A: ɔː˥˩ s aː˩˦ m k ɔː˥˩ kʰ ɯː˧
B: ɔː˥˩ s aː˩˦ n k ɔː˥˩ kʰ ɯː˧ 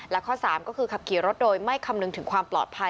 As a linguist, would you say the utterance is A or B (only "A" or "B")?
A